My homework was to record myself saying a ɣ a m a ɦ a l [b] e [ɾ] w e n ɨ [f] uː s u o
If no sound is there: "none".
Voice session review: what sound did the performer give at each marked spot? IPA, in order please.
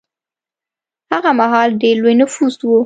d, l, f

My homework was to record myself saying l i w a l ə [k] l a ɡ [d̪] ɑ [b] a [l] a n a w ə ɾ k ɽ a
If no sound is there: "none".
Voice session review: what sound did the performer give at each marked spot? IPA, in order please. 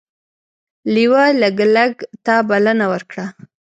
ɡ, t̪, b, l

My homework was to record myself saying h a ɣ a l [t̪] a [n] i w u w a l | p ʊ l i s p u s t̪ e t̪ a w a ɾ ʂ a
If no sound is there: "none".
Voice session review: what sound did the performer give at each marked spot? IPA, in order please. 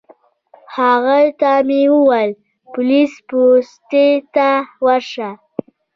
t̪, m

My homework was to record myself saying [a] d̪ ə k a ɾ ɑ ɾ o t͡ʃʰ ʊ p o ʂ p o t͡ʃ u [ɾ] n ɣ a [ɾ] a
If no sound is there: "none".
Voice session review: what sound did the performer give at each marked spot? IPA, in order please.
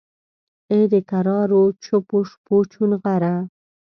e, none, ɾ

